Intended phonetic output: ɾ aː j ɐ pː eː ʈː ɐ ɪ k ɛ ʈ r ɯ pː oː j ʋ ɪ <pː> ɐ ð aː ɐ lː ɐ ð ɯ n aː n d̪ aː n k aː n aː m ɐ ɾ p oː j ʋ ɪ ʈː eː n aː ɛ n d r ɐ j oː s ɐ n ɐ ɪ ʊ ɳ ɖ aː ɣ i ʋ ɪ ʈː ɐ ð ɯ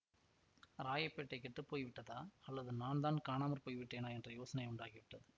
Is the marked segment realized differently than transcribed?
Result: yes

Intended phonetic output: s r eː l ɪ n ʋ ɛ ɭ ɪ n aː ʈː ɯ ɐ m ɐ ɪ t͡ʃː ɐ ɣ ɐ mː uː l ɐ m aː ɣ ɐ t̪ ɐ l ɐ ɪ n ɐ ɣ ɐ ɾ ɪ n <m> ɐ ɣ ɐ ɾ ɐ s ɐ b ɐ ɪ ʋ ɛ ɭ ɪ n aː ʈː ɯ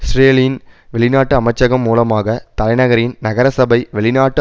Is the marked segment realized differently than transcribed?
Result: yes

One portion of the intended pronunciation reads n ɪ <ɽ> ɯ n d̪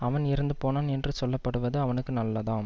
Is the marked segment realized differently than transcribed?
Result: yes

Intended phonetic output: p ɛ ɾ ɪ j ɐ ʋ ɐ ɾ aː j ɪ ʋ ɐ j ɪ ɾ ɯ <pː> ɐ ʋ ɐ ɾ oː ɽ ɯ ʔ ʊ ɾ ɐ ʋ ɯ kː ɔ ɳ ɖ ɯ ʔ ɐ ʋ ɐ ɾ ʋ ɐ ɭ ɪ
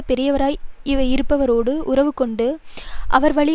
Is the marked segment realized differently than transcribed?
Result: no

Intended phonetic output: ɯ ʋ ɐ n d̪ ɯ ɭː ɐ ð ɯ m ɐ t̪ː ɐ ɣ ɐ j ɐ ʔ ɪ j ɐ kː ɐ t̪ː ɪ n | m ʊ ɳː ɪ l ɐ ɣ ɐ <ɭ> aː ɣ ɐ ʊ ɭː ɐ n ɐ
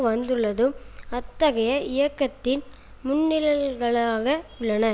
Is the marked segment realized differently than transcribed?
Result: no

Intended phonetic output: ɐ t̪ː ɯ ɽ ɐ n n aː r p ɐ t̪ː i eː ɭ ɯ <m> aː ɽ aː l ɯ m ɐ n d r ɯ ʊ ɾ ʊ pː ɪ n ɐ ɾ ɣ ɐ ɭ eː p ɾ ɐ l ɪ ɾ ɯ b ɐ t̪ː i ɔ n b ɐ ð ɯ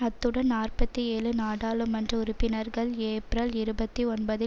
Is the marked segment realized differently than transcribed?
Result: yes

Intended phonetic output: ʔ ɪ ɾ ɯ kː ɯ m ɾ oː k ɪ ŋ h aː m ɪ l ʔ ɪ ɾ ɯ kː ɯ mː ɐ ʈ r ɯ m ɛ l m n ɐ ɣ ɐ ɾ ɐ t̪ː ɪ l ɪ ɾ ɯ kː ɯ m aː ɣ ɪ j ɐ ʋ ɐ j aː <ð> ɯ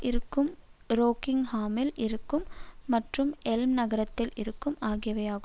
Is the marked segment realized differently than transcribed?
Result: yes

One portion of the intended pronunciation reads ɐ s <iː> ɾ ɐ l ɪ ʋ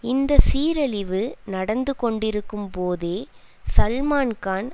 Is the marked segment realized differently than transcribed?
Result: no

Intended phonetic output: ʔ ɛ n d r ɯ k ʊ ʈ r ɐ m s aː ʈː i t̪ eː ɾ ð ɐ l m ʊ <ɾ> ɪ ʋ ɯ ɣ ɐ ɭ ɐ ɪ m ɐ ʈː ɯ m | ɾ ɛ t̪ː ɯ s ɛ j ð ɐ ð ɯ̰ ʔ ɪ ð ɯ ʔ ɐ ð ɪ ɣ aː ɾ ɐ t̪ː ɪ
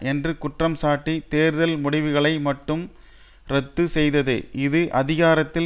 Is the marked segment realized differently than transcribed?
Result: yes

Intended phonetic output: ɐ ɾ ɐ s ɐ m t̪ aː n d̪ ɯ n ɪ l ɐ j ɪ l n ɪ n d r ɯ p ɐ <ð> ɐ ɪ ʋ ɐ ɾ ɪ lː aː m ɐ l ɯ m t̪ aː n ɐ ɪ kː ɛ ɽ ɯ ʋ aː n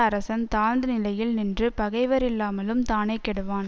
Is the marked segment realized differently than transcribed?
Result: yes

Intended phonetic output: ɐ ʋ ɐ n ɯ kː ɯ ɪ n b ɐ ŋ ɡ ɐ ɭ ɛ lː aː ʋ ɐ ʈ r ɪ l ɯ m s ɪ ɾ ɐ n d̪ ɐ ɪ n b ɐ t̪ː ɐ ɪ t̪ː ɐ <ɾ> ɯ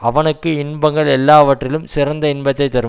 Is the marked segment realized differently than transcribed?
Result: no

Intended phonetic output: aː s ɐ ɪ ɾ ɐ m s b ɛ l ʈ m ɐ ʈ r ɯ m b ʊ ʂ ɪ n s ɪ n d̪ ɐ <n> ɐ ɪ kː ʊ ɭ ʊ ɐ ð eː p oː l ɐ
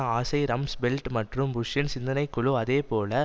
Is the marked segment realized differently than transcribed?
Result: no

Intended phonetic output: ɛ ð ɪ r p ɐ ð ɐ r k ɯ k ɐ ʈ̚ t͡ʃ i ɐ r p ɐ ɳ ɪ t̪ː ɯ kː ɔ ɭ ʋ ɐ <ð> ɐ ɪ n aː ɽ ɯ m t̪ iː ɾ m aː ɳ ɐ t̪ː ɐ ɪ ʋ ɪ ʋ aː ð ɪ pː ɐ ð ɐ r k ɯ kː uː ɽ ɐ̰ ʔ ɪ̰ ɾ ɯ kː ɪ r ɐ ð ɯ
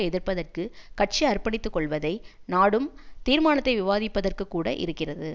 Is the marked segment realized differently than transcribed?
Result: no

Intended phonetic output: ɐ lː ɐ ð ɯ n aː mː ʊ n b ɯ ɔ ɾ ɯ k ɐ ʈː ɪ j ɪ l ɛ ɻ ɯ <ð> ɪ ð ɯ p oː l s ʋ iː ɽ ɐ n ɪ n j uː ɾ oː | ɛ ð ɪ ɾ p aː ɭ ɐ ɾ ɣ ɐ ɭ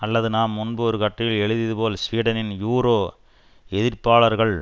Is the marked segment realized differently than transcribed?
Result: no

